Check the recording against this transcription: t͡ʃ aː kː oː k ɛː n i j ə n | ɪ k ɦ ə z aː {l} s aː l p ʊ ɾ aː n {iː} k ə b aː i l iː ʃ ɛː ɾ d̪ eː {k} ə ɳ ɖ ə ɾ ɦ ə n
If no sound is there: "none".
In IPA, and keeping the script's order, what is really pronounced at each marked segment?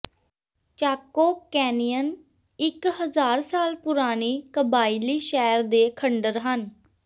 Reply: ɾ, iː, kʰ

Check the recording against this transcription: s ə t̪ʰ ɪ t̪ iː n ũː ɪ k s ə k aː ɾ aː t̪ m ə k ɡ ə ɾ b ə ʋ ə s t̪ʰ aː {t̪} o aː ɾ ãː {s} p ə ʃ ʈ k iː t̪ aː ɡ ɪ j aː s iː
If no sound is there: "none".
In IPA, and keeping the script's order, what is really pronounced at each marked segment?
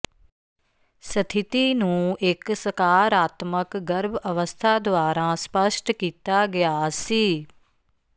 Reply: d̪, s

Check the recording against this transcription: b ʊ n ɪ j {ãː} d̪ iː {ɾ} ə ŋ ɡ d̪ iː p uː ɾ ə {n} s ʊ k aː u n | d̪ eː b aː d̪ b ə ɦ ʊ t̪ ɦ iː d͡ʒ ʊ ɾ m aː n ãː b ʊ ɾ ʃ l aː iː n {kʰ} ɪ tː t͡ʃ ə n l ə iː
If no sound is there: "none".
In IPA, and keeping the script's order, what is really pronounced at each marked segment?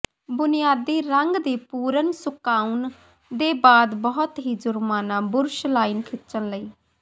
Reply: aː, ɾ, n, kʰ

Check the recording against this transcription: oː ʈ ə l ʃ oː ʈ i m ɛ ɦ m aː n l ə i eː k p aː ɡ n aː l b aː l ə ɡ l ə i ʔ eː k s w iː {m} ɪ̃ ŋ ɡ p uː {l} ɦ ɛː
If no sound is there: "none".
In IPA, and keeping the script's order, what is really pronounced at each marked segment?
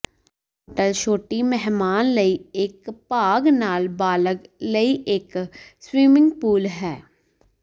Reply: m, l

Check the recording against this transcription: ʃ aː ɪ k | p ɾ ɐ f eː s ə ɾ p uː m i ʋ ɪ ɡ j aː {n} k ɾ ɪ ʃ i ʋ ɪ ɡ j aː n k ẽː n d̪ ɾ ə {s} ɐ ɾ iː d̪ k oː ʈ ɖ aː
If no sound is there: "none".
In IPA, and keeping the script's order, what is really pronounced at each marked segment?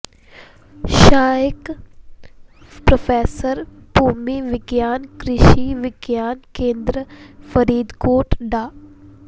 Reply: n, f

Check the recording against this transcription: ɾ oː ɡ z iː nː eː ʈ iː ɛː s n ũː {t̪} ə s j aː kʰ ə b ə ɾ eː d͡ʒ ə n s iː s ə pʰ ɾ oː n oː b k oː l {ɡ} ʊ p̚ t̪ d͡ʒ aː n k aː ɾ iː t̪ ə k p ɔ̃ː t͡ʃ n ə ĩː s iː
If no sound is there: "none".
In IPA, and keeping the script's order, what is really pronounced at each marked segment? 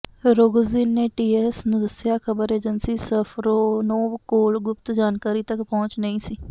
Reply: d̪, ɡ

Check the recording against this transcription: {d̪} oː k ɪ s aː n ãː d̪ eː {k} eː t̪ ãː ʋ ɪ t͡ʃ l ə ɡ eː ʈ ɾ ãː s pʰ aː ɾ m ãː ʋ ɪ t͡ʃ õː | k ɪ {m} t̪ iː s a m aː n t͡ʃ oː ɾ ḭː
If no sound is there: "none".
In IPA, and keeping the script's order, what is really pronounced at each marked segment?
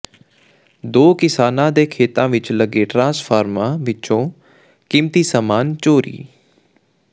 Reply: d̪, kʰ, m

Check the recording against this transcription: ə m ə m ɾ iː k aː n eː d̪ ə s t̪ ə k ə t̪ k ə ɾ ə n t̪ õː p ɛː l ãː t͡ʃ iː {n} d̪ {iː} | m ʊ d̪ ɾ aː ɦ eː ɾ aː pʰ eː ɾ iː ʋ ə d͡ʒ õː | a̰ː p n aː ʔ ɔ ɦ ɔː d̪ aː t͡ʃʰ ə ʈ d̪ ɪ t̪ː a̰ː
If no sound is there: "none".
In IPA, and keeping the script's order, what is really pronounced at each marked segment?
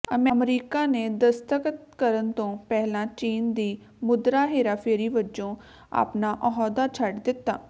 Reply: n, iː

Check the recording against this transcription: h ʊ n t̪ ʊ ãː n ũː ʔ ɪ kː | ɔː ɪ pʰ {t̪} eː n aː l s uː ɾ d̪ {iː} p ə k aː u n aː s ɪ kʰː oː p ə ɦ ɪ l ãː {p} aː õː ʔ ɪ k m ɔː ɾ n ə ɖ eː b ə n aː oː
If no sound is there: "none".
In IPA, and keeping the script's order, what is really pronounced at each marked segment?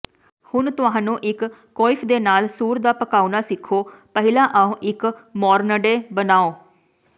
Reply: d̪, aː, ʔ

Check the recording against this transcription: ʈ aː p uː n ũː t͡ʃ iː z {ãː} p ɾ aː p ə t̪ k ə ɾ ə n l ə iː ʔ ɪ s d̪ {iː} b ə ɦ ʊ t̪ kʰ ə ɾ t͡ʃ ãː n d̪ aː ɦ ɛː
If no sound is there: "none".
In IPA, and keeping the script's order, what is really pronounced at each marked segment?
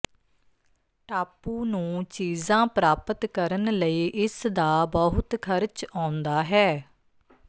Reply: ãː, aː

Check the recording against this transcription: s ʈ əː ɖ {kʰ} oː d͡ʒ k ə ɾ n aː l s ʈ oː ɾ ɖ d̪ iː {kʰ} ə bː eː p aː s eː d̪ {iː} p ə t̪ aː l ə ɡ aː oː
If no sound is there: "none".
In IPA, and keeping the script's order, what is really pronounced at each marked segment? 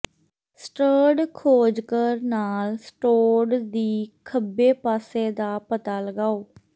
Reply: kʰ, kʰ, aː

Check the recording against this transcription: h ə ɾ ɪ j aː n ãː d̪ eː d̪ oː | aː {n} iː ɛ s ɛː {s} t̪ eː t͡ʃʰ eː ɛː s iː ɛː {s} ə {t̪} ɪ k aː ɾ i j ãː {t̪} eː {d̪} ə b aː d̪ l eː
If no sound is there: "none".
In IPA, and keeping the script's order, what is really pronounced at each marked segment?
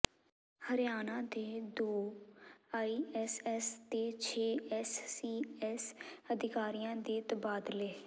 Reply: none, s, s, d̪, d̪, t̪

